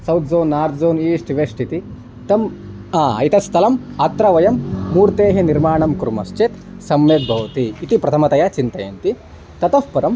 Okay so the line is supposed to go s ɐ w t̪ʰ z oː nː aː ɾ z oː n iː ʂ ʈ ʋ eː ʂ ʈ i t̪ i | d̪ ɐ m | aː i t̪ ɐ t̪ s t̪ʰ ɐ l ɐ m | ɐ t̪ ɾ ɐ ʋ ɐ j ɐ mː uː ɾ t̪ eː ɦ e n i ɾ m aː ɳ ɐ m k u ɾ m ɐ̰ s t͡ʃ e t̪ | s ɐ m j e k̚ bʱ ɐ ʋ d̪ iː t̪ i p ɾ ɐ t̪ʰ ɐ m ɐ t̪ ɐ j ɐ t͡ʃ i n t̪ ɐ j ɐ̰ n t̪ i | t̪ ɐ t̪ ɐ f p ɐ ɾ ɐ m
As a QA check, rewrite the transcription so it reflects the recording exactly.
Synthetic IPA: s ɐ w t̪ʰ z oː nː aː ɾ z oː n iː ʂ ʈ ʋ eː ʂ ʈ i t̪ i | t̪ ɐ m | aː i t̪ ɐ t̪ s t̪ʰ ɐ l ɐ m | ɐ t̪ ɾ ɐ ʋ ɐ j ɐ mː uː ɾ t̪ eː ɦ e n i ɾ m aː ɳ ɐ m k u ɾ m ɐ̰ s t͡ʃ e t̪ | s ɐ m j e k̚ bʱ ɐ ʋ t̪ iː t̪ i p ɾ ɐ t̪ʰ ɐ m ɐ t̪ ɐ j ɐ t͡ʃ i n t̪ ɐ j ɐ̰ n t̪ i | t̪ ɐ t̪ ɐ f p ɐ ɾ ɐ m

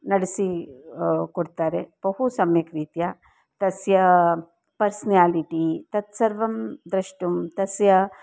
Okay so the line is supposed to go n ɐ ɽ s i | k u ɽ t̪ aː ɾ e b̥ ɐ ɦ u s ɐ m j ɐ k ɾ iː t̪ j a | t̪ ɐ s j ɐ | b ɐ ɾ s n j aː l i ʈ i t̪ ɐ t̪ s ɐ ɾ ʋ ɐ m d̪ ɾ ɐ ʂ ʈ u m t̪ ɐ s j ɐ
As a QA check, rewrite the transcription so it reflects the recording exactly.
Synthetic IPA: n ɐ ɽ s i | k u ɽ t̪ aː ɾ e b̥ ɐ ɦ u s ɐ m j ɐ k ɾ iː t̪ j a | t̪ ɐ s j ɐ | p ɐ ɾ s n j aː l i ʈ i t̪ ɐ t̪ s ɐ ɾ ʋ ɐ m d̪ ɾ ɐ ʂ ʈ u m t̪ ɐ s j ɐ

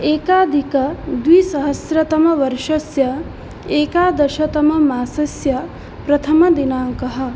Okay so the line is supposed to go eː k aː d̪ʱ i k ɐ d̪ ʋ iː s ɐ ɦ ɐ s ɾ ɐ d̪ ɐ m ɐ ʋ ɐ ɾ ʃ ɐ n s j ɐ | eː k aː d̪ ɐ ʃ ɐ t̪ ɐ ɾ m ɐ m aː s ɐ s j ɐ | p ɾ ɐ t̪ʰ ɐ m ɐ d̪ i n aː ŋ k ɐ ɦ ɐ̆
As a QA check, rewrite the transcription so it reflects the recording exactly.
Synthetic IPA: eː k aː d̪ʱ i k ɐ d̪ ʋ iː s ɐ ɦ ɐ s ɾ ɐ t̪ ɐ m ɐ ʋ ɐ ɾ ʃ ɐ s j ɐ | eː k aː d̪ ɐ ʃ ɐ t̪ ɐ m ɐ m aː s ɐ s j ɐ | p ɾ ɐ t̪ʰ ɐ m ɐ d̪ i n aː ŋ k ɐ ɦ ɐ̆

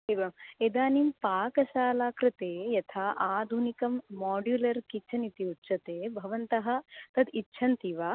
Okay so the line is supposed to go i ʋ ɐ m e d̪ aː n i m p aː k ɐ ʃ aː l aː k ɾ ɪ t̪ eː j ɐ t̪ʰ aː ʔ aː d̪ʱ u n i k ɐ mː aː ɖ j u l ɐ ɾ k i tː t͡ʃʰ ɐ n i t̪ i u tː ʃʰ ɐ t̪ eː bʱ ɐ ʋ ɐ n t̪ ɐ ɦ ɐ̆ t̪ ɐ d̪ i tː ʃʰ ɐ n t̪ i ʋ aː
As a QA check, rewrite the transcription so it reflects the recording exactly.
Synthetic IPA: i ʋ ɐ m e d̪ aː n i m p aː k ɐ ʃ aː l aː k ɾ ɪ t̪ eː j ɐ t̪ʰ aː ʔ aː d̪ʱ u n i k ɐ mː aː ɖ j u l ɐ ɾ k i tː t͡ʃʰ ɐ n i t̪ i u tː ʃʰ ɐ t̪ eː bʱ ɐ ʋ ɐ n t̪ ɐ ɦ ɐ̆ t̪ ɐ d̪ i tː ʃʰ ɐ n t̪ i ʋ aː

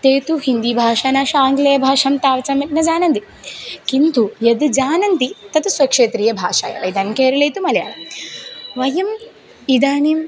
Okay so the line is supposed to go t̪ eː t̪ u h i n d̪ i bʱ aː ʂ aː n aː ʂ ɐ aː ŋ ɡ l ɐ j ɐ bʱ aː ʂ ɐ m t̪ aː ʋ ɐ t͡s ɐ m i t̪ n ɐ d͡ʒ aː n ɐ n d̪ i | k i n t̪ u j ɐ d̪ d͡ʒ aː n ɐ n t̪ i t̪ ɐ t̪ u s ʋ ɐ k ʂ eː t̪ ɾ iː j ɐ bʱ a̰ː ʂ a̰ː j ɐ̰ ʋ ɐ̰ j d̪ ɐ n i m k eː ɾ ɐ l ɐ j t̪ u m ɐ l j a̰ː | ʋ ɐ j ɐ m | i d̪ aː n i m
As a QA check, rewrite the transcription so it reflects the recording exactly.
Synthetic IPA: t̪ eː t̪ u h i n d̪ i bʱ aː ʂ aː n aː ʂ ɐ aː ŋ ɡ l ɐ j ɐ bʱ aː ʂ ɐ m t̪ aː ʋ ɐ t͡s ɐ m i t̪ n ɐ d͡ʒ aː n ɐ n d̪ i | k i n t̪ u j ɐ d̪ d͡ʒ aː n ɐ n t̪ i t̪ ɐ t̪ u s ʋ ɐ k ʂ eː t̪ ɾ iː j ɐ bʱ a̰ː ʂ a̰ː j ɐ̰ ʋ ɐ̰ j d̪ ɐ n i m k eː ɾ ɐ l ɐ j t̪ u m ɐ l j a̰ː | ʋ ɐ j ɐ m | i d̪ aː n i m

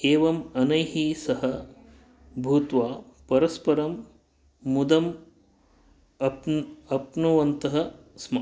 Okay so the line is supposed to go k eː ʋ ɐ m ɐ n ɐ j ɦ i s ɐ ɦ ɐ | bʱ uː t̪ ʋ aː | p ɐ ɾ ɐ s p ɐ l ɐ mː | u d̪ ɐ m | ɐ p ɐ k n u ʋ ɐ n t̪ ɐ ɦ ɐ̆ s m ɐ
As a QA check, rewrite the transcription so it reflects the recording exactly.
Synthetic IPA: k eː ʋ ɐ m ɐ n ɐ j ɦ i s ɐ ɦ ɐ | bʱ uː t̪ ʋ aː | p ɐ ɾ ɐ s p ɐ ɾ ɐ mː | u d̪ ɐ m | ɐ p ɐ p n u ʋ ɐ n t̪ ɐ ɦ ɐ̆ s m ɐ

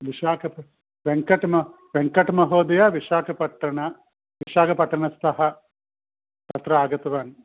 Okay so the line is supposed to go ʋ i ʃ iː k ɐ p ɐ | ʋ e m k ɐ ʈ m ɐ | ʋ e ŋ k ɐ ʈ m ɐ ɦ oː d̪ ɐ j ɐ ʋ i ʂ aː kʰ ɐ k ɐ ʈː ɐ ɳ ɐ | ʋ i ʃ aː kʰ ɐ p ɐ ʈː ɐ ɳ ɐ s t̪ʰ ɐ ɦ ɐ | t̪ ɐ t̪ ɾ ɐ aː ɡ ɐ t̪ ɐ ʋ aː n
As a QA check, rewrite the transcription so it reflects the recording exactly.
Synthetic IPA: ʋ i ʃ aː k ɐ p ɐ | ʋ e ŋ k ɐ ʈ m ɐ | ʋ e ŋ k ɐ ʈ m ɐ ɦ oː d̪ ɐ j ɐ ʋ i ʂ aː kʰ ɐ p ɐ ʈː ɐ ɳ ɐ | ʋ i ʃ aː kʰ ɐ p ɐ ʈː ɐ ɳ ɐ s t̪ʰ ɐ ɦ ɐ | t̪ ɐ t̪ ɾ ɐ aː ɡ ɐ t̪ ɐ ʋ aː n

